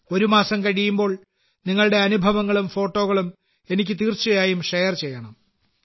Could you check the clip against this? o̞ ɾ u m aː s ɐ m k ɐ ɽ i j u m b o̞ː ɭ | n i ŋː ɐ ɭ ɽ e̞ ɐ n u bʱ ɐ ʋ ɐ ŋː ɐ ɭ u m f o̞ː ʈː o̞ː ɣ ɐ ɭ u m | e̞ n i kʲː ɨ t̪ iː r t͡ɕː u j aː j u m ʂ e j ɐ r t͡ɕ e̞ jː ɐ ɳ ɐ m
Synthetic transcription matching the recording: o̞ ɾ u m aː s ɐ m k ɐ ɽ i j u m b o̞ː ɭ | n i ŋː ɐ ɭ ɽ e̞ ɐ n u bʱ ɐ ʋ ɐ ŋː ɐ ɭ u m f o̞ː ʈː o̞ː ɣ ɐ ɭ u m | e̞ n i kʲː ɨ t̪ iː r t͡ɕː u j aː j u m ʂ e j ɐ r t͡ɕ e̞ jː ɐ ɳ ɐ m